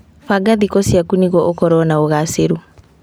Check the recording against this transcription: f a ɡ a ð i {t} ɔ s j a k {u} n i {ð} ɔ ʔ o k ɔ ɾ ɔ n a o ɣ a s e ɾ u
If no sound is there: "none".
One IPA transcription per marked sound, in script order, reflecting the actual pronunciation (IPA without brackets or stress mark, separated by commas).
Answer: k, u, ɣ